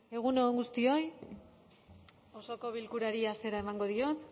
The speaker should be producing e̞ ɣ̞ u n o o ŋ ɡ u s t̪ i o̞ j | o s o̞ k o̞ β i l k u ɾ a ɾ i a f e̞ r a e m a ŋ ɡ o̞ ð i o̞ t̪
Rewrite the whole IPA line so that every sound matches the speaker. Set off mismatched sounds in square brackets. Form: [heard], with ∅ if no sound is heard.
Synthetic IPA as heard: e̞ ɣ̞ u n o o ŋ ɡ u s t̪ i o̞ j | o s o̞ k o̞ β i l k u ɾ a ɾ i a [s] e̞ [ɾ] a e m a ŋ ɡ o̞ ð i o̞ t̪